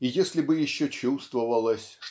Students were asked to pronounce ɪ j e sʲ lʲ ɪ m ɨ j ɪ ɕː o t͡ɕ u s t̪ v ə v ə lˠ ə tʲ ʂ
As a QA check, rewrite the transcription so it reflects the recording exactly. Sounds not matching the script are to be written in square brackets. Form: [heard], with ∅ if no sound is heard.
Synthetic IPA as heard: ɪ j e sʲ lʲ ɪ [b] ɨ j ɪ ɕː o t͡ɕ u s t̪ v ə v ə lˠ ə [sʲ] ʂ